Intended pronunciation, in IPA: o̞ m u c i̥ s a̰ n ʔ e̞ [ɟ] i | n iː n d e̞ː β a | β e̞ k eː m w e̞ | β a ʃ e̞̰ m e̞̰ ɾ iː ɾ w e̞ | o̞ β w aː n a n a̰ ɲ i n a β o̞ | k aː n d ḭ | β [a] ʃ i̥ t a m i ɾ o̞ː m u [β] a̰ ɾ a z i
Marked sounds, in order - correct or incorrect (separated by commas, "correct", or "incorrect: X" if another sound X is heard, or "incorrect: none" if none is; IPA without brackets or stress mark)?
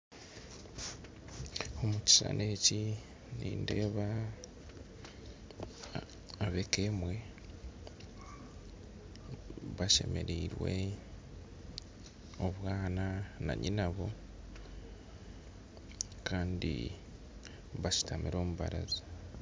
incorrect: c, correct, correct